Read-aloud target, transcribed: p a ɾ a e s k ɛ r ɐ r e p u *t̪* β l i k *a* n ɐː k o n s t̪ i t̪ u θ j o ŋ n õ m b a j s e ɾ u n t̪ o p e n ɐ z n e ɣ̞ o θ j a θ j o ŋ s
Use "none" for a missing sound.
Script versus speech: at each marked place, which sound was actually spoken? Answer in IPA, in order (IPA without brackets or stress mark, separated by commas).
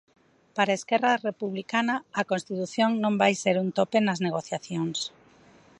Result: none, a